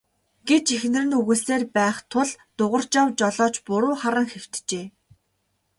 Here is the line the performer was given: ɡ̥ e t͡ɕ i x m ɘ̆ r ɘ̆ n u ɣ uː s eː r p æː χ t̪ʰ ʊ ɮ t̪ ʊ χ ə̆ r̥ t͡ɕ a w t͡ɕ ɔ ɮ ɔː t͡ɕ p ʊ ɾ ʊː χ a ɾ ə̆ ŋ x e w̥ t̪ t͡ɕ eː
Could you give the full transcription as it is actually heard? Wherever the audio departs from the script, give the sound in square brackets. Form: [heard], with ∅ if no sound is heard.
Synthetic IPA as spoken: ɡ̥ e t͡ɕ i x [n] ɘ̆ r ɘ̆ n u ɣ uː s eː r p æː χ t̪ʰ ʊ ɮ t̪ ʊ [ʁ] ə̆ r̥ t͡ɕ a w t͡ɕ ɔ ɮ ɔː t͡ɕ p ʊ ɾ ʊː χ a ɾ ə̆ ŋ x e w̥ t̪ t͡ɕ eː